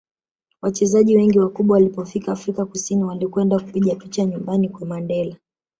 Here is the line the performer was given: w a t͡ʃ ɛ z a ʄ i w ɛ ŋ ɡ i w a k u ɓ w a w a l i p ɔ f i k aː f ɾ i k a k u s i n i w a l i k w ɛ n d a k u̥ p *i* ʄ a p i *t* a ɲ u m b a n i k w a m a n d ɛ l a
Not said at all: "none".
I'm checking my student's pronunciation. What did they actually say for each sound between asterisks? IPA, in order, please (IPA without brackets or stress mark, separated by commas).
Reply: i, t͡ʃ